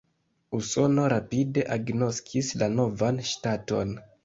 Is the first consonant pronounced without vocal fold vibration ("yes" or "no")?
yes